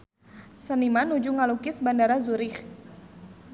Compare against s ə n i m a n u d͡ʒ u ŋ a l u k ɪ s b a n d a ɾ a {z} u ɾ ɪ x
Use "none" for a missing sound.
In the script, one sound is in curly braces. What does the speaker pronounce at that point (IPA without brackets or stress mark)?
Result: z